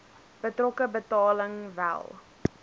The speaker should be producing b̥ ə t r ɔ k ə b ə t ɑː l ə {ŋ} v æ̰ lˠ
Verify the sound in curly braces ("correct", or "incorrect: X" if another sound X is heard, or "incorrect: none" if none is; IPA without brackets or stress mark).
correct